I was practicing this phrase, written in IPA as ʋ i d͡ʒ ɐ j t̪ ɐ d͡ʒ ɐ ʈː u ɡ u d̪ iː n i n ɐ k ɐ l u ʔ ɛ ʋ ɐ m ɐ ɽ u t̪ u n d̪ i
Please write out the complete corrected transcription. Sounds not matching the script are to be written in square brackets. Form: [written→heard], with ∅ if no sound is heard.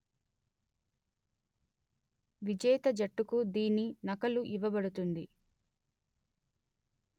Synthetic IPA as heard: ʋ i d͡ʒ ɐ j t̪ ɐ d͡ʒ ɐ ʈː u [ɡ→k] u d̪ iː n i n ɐ k ɐ l u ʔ [ɛ→i] ʋ ɐ [m→b] ɐ ɽ u t̪ u n d̪ i